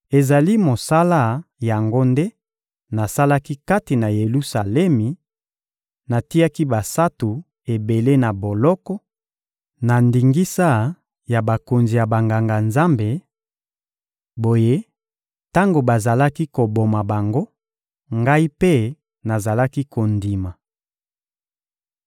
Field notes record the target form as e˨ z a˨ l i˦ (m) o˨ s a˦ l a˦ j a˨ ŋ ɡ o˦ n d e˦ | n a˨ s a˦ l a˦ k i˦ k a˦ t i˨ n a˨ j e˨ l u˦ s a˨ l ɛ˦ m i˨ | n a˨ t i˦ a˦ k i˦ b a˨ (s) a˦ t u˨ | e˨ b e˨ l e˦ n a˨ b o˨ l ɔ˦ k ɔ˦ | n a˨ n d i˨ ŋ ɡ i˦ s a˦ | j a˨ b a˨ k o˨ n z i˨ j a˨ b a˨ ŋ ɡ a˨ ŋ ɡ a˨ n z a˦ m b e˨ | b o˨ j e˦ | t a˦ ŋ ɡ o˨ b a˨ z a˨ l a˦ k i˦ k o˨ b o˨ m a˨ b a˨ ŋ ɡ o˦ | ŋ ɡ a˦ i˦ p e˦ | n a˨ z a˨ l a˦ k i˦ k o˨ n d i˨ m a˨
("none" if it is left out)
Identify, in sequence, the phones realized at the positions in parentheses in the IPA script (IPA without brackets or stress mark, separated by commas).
m, s